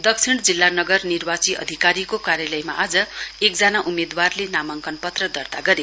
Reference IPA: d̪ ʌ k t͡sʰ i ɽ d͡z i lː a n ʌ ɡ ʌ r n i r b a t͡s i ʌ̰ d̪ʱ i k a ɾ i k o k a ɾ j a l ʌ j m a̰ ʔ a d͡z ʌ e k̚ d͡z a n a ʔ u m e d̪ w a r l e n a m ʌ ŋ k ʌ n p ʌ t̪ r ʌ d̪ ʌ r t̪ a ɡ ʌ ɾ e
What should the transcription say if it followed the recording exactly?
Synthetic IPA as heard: d̪ ʌ k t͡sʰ i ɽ d͡z i lː a n ʌ ɡ ʌ r n i r b a t͡s i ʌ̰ d̪ʱ i k a ɾ i k o k a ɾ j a l ʌ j m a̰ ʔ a d͡z ʌ e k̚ d͡z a n a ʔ u m e d̪ w a r l e n a m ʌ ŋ k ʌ n p ʌ t̪ r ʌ d̪ ʌ r t̪ a ɡ ʌ ɾ e